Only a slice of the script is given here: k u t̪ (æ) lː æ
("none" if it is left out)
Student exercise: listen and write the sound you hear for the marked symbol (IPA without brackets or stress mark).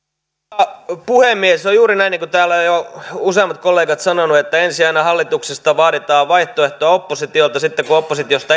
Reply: æː